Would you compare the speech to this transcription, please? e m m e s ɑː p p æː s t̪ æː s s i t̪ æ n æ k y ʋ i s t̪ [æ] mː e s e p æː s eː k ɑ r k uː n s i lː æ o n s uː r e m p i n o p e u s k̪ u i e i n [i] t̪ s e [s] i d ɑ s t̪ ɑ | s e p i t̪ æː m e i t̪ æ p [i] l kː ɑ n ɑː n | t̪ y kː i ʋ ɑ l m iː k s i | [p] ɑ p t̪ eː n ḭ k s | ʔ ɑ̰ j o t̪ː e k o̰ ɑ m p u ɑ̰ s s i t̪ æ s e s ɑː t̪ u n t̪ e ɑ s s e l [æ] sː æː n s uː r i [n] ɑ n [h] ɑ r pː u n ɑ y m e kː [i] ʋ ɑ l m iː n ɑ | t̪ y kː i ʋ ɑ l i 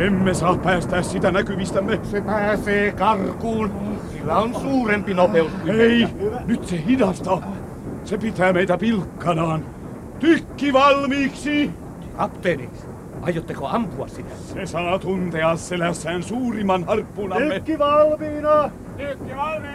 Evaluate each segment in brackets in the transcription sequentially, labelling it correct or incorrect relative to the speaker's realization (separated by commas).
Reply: correct, incorrect, incorrect, correct, incorrect, correct, incorrect, correct, correct